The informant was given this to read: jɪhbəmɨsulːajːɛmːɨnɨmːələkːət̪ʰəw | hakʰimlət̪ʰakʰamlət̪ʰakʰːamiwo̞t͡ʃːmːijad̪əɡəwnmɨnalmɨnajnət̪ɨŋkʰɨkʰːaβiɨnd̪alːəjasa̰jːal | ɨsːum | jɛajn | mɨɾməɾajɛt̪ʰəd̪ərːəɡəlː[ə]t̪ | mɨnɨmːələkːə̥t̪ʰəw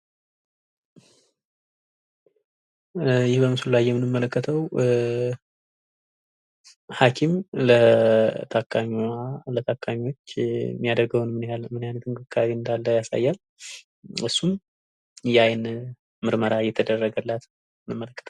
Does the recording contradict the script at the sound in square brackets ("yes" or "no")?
yes